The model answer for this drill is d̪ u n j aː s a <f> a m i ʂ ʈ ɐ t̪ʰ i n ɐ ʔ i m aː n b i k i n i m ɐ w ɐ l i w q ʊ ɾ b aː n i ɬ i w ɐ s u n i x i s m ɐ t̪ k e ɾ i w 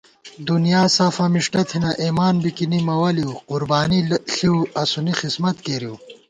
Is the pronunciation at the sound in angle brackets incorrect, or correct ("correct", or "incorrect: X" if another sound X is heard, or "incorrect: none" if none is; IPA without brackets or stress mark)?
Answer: correct